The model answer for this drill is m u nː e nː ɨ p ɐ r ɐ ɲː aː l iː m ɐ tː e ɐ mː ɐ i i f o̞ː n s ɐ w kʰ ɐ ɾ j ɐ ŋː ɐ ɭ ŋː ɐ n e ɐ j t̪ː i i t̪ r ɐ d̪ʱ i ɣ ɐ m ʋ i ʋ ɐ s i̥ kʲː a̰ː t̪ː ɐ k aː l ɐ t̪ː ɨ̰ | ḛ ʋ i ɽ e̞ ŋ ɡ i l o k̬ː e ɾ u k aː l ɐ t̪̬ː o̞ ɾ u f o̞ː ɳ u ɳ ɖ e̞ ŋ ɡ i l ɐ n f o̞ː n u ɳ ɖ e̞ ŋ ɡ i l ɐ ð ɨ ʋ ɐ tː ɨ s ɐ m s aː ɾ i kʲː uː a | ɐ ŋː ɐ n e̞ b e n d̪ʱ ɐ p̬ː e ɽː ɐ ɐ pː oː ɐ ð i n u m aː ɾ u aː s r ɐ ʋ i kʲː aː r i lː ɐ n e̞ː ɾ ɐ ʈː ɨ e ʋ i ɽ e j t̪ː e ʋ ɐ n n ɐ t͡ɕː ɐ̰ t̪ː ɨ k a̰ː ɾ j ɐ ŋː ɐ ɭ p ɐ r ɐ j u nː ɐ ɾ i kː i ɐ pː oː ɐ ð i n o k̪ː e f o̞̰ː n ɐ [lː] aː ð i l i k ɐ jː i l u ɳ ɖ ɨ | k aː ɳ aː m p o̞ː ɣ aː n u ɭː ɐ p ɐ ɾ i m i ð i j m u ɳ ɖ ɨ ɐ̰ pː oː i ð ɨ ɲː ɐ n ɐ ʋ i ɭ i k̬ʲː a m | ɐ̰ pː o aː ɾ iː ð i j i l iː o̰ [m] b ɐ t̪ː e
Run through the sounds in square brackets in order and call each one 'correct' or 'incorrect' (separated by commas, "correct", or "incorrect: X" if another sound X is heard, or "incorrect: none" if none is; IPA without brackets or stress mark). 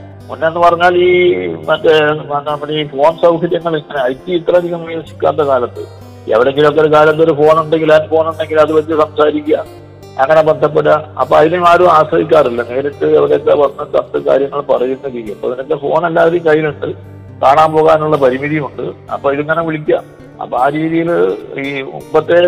correct, correct